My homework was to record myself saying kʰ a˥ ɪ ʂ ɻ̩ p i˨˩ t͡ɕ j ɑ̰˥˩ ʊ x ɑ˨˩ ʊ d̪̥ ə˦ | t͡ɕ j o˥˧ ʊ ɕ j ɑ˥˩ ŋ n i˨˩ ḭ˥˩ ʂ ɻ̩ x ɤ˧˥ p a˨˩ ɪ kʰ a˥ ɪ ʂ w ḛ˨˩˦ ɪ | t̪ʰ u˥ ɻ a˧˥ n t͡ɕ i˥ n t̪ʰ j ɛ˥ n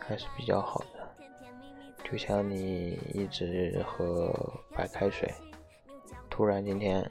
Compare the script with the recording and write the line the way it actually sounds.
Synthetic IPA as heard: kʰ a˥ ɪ ʂ ɻ̩ p i˨˩ t͡ɕ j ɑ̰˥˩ ʊ x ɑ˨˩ ʊ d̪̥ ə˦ | t͡ɕ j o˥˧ ʊ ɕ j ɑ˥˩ ŋ n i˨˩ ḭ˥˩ ʈ͡ʂ ɻ̩ x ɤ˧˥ p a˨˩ ɪ kʰ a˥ ɪ ʂ w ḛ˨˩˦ ɪ | t̪ʰ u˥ ɻ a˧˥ n t͡ɕ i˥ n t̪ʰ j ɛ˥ n